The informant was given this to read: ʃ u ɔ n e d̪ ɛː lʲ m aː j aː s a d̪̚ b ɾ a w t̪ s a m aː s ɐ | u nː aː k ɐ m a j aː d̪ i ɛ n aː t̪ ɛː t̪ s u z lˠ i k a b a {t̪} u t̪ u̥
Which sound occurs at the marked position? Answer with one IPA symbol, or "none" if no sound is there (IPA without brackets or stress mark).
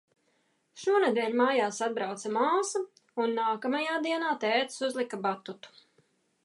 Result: t̪